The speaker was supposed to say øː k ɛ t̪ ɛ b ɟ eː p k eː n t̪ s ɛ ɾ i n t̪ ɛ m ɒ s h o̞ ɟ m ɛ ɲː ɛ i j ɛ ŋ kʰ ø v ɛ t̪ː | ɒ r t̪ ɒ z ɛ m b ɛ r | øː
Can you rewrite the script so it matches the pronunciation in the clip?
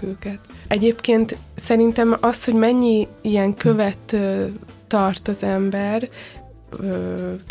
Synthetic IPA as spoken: øː k ɛ t̪ ɛ ɟ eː p k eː n t̪ s ɛ ɾ i n t̪ ɛ m ɒ s h o̞ ɟ m ɛ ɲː i i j ɛ ŋ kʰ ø v ɛ t̪ː | ɒ r t̪ ɒ z ɛ m b ɛ r | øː